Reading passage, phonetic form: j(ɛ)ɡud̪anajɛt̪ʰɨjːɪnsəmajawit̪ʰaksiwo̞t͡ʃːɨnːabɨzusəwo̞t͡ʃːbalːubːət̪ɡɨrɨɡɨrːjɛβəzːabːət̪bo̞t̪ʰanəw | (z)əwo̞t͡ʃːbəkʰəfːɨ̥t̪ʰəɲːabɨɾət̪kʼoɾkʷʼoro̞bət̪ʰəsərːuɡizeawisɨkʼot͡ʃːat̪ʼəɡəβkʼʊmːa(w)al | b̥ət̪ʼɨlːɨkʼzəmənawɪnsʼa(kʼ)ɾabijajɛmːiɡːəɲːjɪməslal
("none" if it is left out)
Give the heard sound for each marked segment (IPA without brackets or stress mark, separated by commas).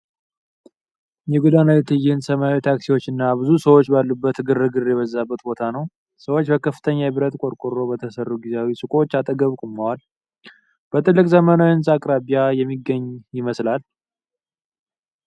ɛ, s, w, kʼ